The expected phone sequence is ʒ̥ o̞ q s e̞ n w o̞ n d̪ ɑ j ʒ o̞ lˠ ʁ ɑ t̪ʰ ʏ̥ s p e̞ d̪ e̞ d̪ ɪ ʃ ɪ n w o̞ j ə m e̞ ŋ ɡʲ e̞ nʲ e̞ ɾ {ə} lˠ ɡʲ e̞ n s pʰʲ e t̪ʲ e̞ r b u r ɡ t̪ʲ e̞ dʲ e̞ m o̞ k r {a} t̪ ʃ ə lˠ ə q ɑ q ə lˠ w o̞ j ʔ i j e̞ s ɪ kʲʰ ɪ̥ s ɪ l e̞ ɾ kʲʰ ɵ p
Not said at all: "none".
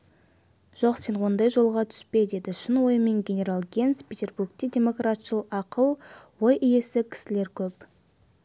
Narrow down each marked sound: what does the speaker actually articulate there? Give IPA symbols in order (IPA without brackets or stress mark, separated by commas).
a, a